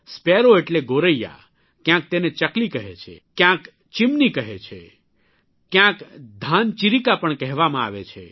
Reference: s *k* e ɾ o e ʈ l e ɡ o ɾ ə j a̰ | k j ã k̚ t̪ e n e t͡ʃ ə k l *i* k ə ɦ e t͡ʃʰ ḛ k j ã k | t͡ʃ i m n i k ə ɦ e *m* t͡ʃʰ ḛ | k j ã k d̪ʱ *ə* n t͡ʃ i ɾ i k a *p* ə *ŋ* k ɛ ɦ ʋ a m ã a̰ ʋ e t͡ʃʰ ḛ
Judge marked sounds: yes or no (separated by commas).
no, yes, no, no, yes, no